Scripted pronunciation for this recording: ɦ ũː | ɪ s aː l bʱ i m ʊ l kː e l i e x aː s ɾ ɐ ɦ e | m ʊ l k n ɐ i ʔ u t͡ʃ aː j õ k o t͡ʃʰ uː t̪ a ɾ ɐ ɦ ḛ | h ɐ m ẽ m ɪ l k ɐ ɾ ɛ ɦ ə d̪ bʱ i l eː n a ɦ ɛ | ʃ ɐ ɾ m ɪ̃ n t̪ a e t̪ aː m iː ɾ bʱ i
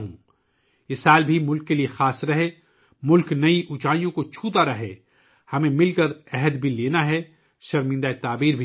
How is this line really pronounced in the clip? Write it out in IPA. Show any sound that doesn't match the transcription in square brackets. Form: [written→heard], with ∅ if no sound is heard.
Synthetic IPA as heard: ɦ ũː | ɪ s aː l bʱ i m ʊ l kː e l i e x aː s ɾ ɐ ɦ e | m ʊ l k n ɐ i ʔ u t͡ʃ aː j õ k o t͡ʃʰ uː t̪ a ɾ ɐ ɦ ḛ | h ɐ m ẽ m ɪ l k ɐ ɾ ɛ ɦ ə d̪ bʱ i l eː n a ɦ ɛ | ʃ ɐ ɾ m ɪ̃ n [t̪→d̪] a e t̪ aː [m→b] iː ɾ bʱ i